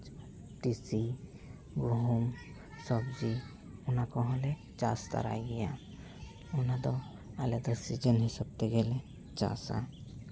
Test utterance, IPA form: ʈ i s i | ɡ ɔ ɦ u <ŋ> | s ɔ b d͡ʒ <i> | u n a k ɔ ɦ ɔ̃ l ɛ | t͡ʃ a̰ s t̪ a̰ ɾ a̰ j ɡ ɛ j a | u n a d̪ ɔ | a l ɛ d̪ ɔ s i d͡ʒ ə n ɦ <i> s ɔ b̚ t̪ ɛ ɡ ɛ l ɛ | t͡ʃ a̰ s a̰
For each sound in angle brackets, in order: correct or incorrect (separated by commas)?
incorrect, correct, correct